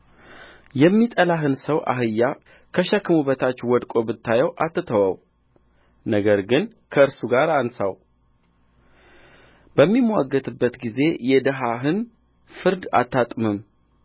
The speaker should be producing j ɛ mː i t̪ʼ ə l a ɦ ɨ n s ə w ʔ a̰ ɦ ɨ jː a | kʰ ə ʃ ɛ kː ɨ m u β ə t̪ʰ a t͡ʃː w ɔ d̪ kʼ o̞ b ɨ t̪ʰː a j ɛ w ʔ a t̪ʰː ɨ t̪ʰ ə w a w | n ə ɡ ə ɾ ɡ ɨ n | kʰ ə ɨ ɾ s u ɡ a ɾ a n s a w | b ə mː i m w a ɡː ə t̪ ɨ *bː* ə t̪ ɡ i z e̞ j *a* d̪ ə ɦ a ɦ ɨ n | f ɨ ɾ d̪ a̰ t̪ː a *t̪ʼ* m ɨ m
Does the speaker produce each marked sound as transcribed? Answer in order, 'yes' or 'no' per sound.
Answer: yes, no, yes

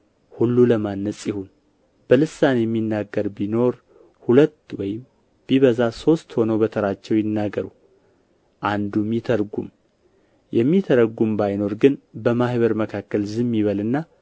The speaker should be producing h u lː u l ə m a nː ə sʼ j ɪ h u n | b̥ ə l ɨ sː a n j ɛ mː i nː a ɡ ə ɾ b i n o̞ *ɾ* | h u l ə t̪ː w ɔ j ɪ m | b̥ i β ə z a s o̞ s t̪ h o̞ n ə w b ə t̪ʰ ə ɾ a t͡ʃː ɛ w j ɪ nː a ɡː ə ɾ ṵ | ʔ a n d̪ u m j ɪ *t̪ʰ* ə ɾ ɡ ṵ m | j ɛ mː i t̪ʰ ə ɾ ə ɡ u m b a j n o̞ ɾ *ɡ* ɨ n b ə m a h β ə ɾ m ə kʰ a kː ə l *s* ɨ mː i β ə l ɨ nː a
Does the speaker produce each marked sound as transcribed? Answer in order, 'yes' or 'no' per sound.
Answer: yes, yes, yes, no

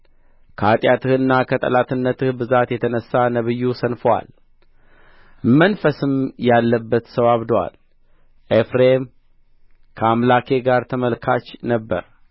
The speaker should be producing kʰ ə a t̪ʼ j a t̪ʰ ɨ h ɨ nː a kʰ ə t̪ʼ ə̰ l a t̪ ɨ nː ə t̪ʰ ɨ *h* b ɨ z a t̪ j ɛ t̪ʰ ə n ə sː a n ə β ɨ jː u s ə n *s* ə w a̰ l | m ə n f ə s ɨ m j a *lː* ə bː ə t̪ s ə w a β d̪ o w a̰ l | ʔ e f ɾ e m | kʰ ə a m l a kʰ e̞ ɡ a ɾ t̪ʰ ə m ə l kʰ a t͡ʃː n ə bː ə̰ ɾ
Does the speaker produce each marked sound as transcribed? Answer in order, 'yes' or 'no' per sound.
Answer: yes, no, yes

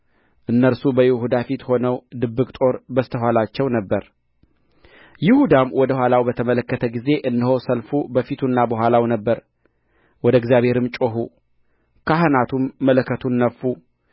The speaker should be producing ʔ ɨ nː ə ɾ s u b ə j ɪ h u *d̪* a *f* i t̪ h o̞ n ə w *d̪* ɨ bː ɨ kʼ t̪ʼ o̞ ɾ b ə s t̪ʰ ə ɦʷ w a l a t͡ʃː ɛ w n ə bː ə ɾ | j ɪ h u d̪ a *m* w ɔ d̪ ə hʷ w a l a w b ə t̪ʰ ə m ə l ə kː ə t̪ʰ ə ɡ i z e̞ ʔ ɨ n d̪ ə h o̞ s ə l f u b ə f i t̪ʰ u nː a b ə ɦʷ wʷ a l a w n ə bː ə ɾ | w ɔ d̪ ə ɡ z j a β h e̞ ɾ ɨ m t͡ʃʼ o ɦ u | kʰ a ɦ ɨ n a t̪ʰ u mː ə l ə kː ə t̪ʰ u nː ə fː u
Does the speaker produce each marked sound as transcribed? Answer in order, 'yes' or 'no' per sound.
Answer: yes, yes, yes, yes

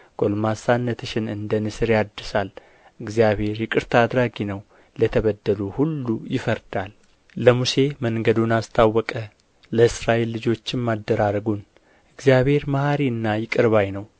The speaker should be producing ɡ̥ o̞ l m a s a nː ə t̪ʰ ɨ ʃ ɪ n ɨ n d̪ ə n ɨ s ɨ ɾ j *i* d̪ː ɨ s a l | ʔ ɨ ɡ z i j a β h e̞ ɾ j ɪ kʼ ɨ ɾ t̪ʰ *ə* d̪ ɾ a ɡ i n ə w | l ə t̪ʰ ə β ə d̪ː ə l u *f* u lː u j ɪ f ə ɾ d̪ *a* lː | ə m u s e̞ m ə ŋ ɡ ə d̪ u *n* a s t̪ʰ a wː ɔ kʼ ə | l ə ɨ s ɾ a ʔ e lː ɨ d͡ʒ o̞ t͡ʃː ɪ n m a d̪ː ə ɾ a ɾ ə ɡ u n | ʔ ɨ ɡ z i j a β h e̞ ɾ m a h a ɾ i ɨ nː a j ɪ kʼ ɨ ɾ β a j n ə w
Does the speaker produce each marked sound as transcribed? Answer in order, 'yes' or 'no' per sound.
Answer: no, no, no, yes, yes

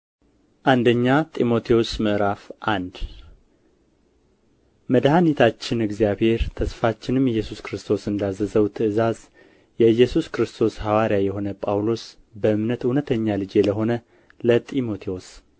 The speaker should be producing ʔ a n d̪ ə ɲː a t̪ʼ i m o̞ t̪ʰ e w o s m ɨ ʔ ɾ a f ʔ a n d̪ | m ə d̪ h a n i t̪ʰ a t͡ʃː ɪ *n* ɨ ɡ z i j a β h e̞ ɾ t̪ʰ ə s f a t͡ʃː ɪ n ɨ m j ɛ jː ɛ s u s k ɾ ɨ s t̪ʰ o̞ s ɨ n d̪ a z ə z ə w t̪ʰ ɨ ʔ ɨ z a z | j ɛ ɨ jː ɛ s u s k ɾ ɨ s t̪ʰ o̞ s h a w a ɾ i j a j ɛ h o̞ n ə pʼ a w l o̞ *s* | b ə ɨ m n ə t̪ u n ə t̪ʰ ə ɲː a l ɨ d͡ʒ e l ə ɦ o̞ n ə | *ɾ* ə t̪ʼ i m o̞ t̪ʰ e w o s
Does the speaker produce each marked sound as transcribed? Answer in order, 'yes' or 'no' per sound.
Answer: yes, yes, no

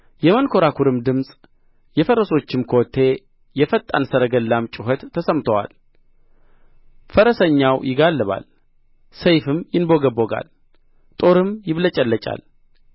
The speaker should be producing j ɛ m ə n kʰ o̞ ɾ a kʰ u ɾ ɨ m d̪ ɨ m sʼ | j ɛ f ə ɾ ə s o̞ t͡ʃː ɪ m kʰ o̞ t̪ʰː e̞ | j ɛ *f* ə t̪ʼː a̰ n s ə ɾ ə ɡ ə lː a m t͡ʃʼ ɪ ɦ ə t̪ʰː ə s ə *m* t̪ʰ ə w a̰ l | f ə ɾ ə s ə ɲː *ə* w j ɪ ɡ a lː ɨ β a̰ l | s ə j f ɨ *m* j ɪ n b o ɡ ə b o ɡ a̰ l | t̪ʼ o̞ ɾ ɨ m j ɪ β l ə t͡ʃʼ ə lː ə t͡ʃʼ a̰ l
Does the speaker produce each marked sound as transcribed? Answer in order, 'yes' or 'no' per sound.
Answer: yes, yes, no, yes

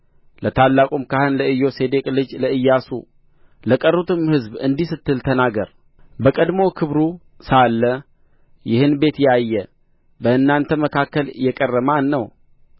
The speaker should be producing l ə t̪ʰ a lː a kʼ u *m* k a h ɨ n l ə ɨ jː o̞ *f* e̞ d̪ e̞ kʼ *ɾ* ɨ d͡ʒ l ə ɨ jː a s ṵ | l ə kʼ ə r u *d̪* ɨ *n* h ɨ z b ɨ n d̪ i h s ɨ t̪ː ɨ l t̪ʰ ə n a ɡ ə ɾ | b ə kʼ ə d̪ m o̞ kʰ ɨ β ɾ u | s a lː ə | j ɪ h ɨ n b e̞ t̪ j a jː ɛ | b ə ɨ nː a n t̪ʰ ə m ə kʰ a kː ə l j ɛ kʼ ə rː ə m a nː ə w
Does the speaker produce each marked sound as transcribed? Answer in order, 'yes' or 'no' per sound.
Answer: yes, no, no, no, no

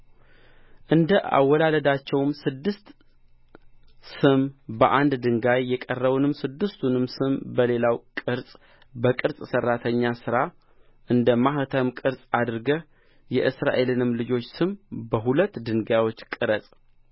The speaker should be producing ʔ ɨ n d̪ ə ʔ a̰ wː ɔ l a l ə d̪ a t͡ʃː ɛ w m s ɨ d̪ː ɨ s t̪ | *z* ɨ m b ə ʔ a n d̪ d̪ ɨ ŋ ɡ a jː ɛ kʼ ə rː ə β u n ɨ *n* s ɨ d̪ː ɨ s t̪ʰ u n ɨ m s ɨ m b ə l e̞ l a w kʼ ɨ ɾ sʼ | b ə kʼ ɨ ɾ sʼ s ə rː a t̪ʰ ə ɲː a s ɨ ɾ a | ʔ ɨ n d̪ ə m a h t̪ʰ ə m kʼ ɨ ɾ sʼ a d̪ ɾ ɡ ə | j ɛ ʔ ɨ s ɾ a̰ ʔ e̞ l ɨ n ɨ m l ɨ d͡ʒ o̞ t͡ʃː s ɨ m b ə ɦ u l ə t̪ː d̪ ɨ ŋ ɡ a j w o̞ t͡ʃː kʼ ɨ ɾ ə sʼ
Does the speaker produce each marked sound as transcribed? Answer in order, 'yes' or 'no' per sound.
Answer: no, no

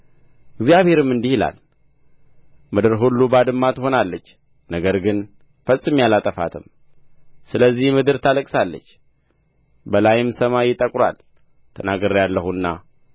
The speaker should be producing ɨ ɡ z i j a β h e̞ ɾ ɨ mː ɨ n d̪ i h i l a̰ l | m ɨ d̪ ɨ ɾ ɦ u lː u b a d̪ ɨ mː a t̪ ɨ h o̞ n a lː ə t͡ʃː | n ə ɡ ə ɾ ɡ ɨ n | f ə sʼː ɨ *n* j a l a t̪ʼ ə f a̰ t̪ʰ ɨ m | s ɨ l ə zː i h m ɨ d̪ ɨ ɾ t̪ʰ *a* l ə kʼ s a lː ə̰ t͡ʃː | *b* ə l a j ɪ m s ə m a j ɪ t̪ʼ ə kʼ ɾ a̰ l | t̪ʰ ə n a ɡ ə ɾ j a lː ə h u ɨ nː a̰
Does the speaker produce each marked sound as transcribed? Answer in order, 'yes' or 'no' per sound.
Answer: no, yes, yes

